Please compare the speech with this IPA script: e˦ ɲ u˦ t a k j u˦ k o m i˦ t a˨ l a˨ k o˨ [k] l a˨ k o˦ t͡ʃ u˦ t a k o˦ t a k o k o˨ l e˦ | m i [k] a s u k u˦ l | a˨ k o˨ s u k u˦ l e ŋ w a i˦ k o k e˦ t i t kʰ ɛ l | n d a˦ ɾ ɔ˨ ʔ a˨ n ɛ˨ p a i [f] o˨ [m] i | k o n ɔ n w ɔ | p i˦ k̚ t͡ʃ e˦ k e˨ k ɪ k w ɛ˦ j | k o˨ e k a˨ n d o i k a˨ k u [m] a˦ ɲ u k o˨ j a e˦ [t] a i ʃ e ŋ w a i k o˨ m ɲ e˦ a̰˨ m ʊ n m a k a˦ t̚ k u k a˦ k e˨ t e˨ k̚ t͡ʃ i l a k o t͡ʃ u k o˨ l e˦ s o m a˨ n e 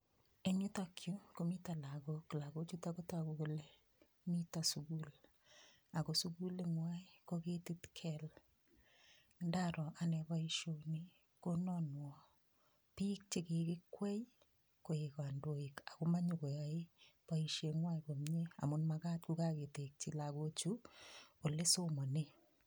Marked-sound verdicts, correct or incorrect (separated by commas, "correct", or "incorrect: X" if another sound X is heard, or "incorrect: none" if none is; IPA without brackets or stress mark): correct, incorrect: t, incorrect: ʃ, incorrect: n, correct, incorrect: p